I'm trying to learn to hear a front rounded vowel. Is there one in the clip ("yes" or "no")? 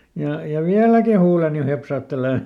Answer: no